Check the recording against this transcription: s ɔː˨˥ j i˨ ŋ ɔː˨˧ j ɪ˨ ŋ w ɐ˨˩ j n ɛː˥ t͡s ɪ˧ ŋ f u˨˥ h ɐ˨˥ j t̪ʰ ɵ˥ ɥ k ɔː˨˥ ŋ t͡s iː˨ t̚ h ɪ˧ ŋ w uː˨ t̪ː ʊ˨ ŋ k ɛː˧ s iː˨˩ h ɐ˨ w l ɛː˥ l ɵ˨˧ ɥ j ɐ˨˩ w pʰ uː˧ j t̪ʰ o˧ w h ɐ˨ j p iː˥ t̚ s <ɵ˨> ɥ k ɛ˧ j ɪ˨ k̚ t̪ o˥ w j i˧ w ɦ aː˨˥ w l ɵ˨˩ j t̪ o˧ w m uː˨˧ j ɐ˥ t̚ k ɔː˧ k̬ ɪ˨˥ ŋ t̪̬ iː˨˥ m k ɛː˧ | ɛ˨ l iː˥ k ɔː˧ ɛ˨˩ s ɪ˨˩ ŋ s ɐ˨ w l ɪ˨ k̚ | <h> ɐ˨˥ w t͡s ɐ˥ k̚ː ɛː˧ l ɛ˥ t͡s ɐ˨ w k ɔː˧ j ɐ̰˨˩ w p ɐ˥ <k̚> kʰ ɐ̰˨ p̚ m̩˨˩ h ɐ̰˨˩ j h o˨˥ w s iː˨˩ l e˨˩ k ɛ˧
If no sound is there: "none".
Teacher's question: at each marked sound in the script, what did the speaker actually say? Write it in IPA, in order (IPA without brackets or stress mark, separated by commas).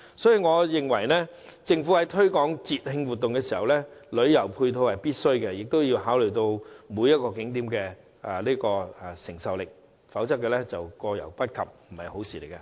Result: ɵ˥, f, t̚